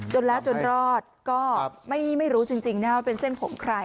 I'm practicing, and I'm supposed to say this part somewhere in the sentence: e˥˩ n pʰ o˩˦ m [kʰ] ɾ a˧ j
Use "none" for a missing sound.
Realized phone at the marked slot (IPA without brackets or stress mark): kʰ